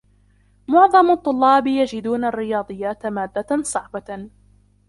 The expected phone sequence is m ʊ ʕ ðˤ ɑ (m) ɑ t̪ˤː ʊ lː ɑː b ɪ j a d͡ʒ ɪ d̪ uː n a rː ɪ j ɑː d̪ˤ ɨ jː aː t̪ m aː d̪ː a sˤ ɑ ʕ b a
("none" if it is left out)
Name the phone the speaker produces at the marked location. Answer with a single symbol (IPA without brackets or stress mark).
m